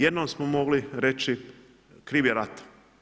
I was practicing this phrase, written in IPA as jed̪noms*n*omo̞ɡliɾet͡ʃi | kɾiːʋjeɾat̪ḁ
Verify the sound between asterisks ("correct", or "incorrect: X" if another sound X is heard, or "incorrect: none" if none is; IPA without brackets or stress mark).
incorrect: m